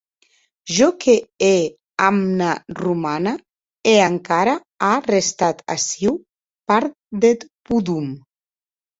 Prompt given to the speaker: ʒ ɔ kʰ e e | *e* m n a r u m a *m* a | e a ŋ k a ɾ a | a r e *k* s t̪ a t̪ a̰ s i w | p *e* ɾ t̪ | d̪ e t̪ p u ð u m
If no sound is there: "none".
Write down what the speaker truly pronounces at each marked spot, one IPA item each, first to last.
a, n, none, a

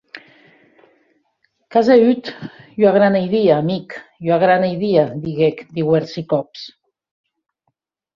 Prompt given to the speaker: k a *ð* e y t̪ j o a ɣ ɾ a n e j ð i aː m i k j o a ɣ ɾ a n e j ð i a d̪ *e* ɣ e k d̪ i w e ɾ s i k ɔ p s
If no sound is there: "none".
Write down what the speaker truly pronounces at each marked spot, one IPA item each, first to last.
z, i

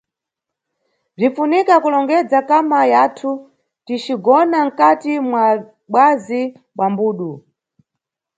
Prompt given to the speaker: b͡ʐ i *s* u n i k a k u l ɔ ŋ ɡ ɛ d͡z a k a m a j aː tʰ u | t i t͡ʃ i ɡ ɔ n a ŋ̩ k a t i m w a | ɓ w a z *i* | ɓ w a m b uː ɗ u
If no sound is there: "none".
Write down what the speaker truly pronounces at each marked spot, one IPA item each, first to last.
f, i

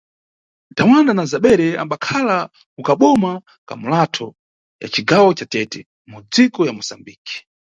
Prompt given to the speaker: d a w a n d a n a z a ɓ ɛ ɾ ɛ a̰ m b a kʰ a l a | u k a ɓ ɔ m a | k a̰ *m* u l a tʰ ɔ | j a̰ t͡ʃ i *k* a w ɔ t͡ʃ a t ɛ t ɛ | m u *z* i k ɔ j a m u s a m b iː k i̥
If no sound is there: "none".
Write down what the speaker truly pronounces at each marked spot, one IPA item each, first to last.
m, ɡ, d͡z

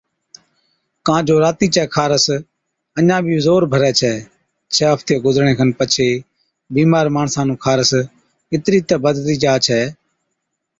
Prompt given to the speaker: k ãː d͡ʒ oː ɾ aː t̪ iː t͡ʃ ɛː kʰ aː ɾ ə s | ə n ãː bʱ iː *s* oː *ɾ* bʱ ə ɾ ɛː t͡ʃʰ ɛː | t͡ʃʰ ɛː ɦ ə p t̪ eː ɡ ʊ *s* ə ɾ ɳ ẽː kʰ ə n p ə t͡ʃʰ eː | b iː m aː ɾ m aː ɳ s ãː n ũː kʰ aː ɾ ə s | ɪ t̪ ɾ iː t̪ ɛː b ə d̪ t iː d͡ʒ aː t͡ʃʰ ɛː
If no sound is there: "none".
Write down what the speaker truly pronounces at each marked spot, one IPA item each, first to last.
z, ɾ, z

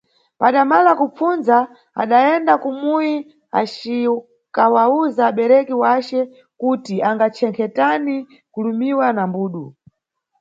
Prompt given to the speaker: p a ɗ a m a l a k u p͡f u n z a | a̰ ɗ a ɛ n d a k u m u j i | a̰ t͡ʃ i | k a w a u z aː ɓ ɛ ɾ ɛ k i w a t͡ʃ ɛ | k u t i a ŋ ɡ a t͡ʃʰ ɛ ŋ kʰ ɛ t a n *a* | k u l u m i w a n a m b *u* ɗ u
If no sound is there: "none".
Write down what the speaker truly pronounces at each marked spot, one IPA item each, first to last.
i, uː

